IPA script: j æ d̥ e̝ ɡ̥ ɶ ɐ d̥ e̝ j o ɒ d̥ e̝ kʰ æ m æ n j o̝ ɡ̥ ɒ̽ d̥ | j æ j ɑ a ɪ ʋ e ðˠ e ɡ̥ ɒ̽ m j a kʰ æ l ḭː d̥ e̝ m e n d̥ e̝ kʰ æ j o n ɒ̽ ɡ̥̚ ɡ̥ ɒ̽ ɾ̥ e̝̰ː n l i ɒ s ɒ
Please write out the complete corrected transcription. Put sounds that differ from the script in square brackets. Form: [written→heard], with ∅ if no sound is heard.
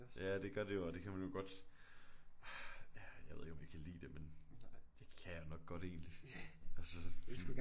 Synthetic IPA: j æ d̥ e̝ ɡ̥ ɶ ɐ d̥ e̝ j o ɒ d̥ e̝ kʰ æ m æ n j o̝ ɡ̥ ɒ̽ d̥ | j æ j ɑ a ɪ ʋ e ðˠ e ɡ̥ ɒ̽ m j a kʰ æ l ḭː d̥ e̝ m e n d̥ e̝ kʰ æ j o n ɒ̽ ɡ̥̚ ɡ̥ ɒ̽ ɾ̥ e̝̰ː n l i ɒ s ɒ